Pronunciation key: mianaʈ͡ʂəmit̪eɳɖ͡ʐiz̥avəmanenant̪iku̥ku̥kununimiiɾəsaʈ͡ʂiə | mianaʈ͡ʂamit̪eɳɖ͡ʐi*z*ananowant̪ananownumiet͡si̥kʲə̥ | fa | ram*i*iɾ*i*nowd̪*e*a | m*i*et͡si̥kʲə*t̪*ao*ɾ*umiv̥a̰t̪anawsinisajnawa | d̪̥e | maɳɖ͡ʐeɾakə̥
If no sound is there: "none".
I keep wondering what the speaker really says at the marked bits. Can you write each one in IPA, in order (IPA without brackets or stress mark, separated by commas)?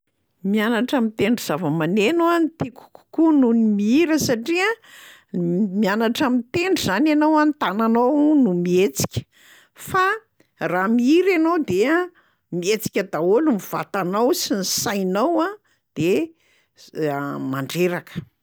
z, i, a, e, i, d̪, l